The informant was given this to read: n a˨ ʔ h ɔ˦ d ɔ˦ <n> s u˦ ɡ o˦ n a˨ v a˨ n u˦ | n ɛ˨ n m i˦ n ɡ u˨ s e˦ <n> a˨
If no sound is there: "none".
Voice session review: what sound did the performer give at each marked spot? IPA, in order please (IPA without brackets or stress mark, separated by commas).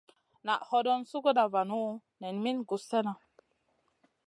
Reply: n, n